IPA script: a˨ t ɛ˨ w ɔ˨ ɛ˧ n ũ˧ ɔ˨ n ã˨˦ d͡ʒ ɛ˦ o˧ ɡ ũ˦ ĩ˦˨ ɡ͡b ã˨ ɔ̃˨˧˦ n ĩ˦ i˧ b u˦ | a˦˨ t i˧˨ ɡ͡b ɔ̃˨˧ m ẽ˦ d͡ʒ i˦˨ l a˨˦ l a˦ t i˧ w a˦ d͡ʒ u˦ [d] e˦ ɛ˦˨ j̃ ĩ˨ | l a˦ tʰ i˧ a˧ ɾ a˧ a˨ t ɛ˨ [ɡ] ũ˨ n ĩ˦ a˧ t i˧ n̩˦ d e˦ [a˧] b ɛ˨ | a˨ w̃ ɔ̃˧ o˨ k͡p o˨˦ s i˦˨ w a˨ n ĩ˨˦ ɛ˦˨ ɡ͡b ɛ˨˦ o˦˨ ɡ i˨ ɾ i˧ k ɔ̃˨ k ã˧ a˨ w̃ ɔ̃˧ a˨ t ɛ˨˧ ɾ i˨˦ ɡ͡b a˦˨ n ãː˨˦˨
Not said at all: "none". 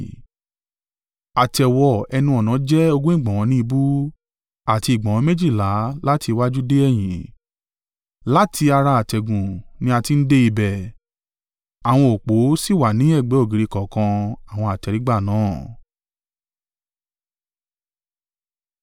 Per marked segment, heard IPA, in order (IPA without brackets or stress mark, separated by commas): d, ɡ, i˧